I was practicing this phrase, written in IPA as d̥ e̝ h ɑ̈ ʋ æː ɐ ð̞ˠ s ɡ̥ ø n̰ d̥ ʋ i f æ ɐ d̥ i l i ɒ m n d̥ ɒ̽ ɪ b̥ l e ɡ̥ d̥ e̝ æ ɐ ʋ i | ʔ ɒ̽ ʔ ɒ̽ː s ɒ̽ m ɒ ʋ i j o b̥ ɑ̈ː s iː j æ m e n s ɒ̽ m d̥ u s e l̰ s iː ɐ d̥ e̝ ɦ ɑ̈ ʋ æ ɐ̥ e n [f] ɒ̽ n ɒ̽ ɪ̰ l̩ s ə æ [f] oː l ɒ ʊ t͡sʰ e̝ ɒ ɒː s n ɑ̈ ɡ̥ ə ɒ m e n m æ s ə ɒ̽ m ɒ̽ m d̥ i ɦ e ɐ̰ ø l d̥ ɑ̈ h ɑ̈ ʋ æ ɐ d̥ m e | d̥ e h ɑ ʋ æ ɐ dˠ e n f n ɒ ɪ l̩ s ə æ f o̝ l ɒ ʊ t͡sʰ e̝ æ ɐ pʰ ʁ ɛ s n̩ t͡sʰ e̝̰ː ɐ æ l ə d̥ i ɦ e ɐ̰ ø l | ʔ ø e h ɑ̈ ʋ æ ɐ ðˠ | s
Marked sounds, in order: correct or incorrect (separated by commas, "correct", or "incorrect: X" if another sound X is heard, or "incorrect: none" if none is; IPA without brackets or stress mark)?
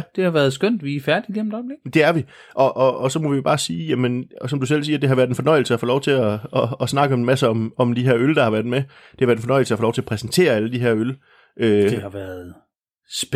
correct, correct